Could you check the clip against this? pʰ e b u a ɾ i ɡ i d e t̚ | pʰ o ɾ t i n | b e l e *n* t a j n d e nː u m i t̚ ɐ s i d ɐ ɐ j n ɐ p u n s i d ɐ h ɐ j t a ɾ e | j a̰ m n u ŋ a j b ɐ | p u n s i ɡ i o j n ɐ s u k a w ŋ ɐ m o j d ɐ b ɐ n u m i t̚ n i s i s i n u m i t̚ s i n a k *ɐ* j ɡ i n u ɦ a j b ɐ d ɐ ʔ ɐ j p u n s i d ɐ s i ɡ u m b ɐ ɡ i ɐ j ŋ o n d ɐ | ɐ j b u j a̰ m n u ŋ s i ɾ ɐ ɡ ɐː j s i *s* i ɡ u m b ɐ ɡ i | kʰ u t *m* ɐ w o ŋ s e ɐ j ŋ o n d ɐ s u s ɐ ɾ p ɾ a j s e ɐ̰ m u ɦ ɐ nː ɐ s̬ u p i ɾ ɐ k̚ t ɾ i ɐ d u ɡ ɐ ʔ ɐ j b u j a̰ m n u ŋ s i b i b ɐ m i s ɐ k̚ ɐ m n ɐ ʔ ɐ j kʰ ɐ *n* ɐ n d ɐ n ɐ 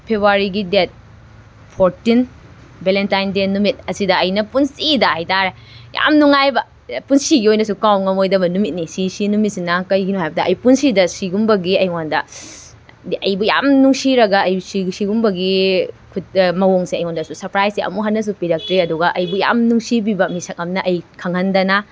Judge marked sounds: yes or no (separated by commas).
yes, yes, yes, yes, no